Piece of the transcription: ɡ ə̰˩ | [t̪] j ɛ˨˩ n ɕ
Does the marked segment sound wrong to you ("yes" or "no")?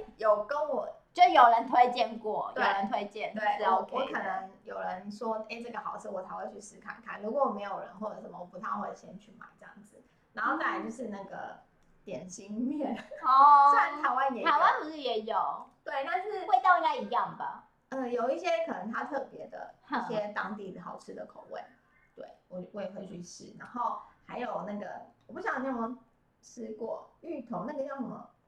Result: no